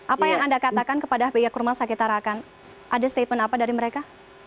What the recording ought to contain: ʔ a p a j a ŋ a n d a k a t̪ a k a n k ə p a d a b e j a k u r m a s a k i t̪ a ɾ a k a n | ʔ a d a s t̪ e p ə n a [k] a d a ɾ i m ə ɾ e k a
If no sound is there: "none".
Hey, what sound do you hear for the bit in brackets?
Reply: p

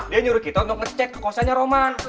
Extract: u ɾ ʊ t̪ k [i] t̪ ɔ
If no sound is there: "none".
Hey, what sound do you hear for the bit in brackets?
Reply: i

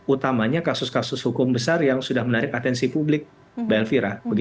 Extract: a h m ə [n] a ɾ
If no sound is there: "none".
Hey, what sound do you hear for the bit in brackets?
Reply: n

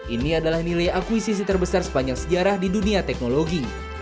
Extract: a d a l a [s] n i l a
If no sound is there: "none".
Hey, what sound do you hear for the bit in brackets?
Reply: h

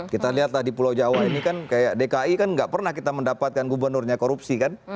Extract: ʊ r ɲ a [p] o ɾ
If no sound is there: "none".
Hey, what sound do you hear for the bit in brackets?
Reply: k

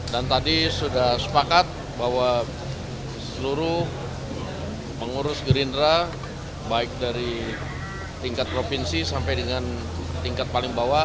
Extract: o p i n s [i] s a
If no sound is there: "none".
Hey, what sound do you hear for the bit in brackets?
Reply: i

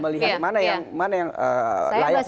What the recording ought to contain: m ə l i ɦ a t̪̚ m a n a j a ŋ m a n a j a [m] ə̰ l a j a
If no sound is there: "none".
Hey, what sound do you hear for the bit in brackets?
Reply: ŋ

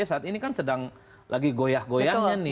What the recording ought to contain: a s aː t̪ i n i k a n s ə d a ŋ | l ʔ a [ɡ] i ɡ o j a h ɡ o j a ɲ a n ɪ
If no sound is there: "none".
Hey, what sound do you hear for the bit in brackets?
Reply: ɡ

